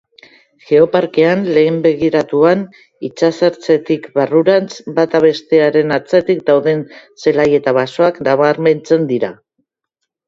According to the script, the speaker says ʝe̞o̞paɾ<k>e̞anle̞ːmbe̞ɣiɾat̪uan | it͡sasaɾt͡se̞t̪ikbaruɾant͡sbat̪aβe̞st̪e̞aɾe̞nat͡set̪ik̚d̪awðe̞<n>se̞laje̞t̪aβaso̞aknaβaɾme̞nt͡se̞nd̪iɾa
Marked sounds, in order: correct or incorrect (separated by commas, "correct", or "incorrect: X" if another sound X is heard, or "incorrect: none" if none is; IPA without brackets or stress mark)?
correct, correct